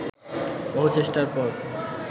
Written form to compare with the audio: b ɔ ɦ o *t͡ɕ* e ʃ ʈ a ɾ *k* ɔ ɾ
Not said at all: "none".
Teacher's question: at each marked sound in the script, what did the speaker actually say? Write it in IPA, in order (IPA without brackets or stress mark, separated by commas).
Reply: t͡ɕ, p